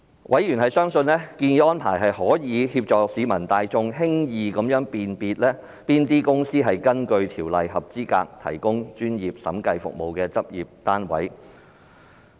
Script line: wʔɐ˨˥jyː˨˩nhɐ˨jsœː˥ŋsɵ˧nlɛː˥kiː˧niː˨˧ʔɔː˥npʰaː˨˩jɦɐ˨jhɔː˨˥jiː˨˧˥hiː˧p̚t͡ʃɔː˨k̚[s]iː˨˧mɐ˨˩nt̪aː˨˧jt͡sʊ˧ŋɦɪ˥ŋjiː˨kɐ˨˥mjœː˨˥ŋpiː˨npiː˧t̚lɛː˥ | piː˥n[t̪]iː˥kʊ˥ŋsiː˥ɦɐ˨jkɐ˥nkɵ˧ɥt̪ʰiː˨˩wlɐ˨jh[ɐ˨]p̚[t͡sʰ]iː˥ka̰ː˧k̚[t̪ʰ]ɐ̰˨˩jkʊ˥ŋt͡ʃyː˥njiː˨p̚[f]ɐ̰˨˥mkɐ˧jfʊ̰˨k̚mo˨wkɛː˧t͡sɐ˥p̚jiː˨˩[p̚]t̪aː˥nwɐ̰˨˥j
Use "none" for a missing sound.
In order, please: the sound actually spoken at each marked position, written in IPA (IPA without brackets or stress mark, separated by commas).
s, t̪, ɐ˨, t͡s, t̪ʰ, s, p̚